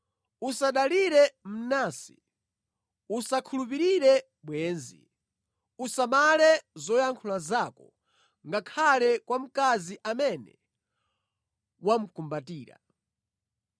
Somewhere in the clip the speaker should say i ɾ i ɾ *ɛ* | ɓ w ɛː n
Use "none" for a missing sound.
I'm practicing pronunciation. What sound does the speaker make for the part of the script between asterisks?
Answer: ɛ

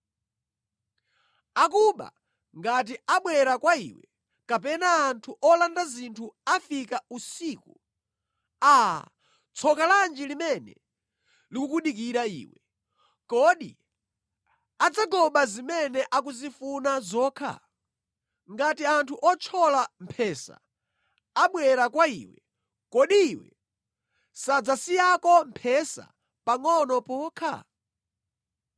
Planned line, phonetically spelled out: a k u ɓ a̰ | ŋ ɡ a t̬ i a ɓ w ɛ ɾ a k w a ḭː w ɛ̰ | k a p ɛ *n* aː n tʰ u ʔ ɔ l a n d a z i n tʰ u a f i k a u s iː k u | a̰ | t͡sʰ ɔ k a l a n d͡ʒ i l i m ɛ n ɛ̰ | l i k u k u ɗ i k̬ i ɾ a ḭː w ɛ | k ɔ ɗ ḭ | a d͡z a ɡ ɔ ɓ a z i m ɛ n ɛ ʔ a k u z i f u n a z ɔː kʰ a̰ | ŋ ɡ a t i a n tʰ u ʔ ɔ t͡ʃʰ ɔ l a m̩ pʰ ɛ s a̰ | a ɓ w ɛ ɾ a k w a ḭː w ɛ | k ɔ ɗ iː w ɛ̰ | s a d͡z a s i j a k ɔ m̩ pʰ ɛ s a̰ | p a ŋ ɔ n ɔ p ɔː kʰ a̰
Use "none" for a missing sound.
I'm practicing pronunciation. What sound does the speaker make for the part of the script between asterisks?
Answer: n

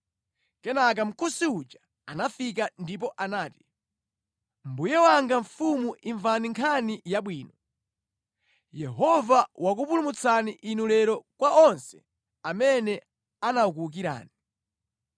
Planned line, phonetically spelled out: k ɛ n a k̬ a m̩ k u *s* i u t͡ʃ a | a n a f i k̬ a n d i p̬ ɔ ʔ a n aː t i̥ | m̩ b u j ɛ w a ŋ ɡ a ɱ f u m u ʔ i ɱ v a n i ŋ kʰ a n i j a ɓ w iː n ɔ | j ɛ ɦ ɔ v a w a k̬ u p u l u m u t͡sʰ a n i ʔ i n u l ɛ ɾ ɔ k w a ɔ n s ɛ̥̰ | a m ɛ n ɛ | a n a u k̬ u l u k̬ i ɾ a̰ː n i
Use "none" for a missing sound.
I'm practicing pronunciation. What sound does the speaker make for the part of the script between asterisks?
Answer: s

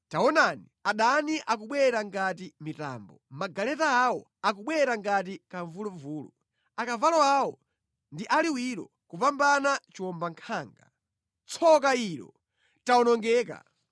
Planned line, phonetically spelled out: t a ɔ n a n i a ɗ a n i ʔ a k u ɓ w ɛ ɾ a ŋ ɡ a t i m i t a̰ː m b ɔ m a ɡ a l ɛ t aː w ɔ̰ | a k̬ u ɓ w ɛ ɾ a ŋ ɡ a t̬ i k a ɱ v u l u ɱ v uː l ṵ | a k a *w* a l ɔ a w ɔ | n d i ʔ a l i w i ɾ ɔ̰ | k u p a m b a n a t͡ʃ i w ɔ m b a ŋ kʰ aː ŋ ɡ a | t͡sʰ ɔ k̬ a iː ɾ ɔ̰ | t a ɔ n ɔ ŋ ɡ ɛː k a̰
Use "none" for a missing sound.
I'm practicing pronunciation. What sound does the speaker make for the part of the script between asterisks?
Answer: v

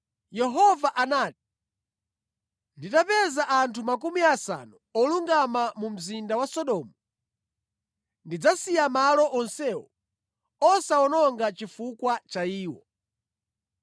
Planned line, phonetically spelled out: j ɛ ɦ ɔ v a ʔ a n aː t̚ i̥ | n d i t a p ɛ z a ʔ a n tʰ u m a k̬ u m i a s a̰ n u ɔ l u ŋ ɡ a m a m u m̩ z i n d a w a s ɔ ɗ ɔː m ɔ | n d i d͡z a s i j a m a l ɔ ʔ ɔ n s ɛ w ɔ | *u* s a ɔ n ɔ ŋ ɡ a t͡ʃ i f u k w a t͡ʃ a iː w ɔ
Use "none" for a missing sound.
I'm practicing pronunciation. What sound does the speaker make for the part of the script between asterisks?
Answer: ɔ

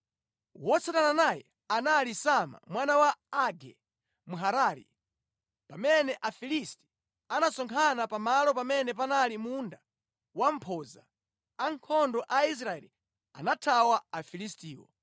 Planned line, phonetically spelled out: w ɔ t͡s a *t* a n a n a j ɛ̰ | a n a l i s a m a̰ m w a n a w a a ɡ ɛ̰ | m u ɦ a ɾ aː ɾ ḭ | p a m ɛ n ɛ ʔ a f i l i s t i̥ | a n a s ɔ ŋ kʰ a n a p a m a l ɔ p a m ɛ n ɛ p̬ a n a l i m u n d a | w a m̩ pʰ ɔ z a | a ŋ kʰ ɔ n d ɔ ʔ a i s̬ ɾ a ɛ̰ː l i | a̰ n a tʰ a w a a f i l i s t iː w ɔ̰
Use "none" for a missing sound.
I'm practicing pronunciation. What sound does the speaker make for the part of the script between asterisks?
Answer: t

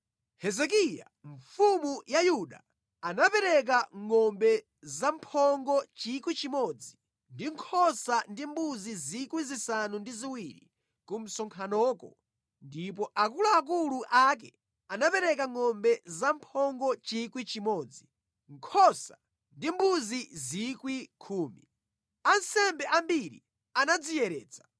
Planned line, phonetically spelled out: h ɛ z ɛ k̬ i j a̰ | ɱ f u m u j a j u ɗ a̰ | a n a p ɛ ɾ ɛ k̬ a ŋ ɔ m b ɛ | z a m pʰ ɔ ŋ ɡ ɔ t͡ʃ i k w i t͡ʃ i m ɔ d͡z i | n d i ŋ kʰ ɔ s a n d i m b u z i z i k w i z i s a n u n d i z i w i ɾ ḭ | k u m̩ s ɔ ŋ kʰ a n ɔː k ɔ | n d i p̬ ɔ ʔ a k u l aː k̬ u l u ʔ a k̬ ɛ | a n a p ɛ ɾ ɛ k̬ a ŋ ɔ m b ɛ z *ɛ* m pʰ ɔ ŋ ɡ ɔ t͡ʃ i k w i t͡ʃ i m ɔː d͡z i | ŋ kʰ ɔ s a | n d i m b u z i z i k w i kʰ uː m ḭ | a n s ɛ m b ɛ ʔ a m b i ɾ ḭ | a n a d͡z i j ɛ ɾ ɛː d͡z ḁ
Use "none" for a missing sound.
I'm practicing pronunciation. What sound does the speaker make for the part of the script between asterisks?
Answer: a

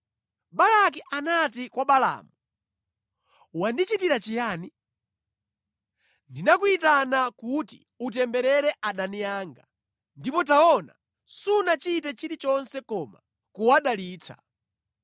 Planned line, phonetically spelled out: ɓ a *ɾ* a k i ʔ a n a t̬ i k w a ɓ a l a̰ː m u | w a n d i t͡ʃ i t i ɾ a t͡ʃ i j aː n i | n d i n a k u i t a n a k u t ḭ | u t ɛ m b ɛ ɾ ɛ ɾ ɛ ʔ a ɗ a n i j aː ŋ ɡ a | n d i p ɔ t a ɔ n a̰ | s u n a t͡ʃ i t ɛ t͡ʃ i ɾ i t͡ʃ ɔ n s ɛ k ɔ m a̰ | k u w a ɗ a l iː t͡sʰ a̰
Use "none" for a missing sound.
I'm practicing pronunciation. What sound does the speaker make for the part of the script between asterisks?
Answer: l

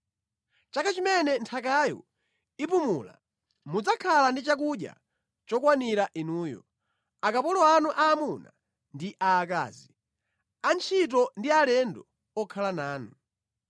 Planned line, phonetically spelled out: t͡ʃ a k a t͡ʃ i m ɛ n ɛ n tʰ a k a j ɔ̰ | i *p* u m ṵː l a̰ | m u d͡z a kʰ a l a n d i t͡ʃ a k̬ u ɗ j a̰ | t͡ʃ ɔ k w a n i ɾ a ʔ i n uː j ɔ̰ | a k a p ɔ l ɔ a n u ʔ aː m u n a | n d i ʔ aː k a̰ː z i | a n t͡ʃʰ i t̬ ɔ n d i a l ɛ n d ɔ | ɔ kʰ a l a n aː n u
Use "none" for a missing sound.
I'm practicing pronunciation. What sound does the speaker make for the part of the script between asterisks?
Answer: p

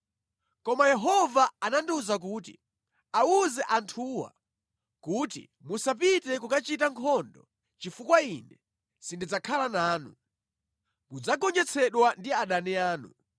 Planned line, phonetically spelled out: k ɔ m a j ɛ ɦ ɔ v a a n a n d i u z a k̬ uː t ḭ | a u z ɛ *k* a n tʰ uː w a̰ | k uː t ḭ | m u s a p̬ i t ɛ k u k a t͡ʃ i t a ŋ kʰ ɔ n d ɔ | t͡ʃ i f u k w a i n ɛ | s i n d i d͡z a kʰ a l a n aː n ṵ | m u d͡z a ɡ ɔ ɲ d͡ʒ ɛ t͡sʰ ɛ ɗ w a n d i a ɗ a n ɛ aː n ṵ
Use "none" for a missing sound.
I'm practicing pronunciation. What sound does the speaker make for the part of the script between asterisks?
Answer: ʔ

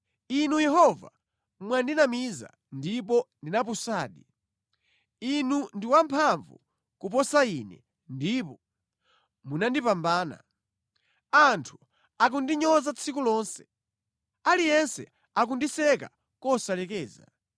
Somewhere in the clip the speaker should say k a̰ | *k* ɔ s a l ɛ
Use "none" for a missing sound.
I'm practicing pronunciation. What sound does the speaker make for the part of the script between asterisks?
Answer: k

